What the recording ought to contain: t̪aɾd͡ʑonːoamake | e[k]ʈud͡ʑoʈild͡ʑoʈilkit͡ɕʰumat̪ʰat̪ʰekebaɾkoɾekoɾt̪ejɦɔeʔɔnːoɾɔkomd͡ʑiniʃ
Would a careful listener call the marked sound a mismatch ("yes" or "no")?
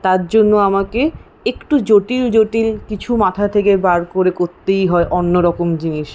no